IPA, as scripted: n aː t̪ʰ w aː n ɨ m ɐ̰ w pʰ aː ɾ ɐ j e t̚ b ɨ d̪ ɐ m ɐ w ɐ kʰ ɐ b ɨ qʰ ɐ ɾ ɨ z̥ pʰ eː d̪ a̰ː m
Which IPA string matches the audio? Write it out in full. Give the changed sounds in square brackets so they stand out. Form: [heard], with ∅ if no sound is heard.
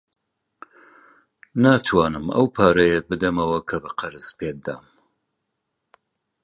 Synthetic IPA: n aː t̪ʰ w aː n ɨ m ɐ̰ w pʰ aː ɾ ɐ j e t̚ b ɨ d̪ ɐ m ɐ w ɐ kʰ ɐ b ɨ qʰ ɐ ɾ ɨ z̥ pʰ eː d̪ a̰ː m